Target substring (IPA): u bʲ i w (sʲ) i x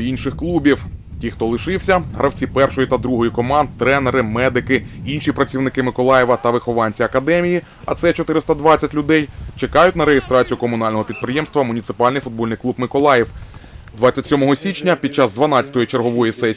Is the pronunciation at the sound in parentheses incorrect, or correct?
incorrect